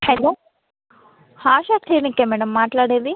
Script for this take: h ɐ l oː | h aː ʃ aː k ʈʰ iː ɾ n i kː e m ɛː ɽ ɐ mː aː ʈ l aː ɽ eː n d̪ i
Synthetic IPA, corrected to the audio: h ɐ l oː | h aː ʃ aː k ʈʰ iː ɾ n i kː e m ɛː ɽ ɐ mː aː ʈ l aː ɽ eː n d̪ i